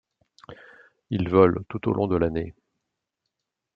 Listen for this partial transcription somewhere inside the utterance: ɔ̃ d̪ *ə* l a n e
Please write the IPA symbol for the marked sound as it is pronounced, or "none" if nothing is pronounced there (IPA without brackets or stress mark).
ə